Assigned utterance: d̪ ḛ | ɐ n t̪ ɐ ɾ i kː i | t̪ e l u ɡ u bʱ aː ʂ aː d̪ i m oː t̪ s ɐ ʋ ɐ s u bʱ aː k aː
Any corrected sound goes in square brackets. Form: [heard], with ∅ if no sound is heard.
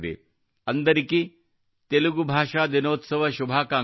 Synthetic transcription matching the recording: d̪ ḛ | ɐ n [d̪] ɐ ɾ i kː i | t̪ e l u ɡ u bʱ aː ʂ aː d̪ i [n] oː t̪ s ɐ ʋ ɐ [ʃ] u bʱ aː k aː